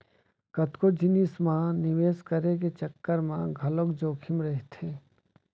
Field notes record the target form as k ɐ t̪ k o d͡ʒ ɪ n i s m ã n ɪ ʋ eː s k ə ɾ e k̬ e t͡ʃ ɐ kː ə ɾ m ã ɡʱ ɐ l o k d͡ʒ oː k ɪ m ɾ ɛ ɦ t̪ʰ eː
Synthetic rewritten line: k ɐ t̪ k o d͡ʒ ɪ n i s m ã n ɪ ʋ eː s k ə ɾ e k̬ e t͡ʃ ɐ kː ə ɾ m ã ɡʱ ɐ l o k d͡ʒ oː kʰ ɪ m ɾ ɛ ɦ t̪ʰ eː